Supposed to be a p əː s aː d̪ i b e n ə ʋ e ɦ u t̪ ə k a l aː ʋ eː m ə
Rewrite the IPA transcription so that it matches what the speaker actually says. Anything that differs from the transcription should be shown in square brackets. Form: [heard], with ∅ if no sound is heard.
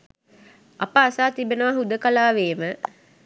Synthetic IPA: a p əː s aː [t̪] i b e n ə ʋ [a] ɦ u [d̪] ə k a l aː ʋ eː m ə

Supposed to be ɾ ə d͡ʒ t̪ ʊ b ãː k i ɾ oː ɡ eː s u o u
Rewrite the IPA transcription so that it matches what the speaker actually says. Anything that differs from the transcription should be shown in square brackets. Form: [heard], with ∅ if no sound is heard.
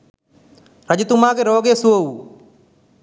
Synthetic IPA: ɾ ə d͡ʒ t̪ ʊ [m] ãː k [e] ɾ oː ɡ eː s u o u

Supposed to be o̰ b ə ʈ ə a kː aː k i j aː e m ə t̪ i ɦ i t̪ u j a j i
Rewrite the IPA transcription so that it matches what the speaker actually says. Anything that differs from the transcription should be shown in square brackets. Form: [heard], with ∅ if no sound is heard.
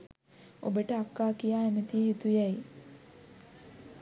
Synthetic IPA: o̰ b ə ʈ ə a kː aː k i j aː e m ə t̪ i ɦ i t̪ u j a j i

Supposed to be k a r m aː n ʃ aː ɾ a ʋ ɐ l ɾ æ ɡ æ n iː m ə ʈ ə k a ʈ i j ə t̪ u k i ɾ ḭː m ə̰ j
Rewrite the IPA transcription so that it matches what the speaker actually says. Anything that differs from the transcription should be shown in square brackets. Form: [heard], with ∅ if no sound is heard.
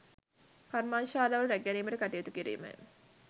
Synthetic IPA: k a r m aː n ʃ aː [l] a ʋ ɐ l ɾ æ ɡ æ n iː m ə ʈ ə k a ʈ i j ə t̪ u k i ɾ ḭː m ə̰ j

